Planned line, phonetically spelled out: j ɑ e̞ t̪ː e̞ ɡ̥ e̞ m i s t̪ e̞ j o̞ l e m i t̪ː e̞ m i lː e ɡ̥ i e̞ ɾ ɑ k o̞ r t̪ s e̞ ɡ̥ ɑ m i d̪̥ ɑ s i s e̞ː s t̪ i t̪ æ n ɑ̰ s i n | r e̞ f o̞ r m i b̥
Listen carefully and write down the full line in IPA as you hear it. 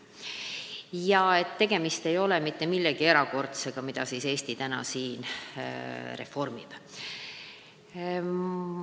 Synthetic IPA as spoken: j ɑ e̞ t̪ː e̞ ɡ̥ e̞ m i s t̪ e̞ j o̞ l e m i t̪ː e̞ m i lː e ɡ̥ i e̞ ɾ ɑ k o̞ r t̪ s e̞ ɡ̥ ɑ m i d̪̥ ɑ s i s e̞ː s t̪ i t̪ æ n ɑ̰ s iː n | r e̞ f o̞ r m i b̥